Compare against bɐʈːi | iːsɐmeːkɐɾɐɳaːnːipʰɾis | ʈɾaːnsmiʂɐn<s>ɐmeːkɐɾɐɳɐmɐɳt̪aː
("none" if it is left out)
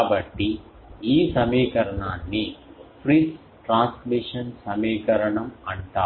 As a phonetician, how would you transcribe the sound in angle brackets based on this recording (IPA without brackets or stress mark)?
s